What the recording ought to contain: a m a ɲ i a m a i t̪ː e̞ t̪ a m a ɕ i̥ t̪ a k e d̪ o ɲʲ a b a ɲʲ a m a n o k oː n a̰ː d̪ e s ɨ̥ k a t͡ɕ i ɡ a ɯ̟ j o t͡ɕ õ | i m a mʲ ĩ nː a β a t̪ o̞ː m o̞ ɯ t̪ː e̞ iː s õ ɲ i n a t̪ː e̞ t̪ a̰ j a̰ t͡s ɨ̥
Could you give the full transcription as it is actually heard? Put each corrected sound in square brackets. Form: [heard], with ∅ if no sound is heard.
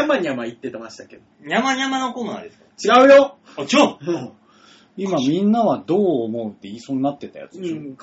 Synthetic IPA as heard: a m a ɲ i a m a i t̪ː e̞ t̪ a m a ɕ i̥ t̪ a k e d̪ o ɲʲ a [m] a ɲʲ a m a n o k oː n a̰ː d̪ e s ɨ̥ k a t͡ɕ i ɡ a ɯ̟ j o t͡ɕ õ | i m a mʲ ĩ nː a β a [d̪] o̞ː m o̞ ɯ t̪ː e̞ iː s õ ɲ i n a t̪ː e̞ t̪ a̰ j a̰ t͡s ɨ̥